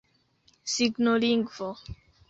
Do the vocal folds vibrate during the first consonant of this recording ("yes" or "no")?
no